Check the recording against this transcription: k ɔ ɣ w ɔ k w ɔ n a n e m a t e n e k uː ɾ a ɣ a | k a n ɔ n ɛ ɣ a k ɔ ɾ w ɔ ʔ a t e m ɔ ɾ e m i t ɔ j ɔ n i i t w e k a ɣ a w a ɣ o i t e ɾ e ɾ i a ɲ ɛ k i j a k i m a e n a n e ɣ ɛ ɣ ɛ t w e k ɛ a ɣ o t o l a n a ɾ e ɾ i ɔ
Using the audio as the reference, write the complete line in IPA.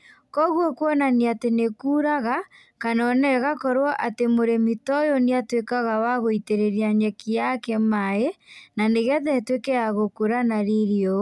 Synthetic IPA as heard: k ɔ ɣ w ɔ k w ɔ n a n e a t e n e k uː ɾ a ɣ a | k a n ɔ n ɛ ɣ a k ɔ ɾ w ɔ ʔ a t e m o ɾ e m i t ɔ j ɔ n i a t w e k a ɣ a w a ɣ o i t e ɾ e ɾ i a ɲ ɛ k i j a k ɛ m a e n a n e ɣ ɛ ð ɛ t w e k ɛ a ɣ o k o ɾ a n a ɾ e ɾ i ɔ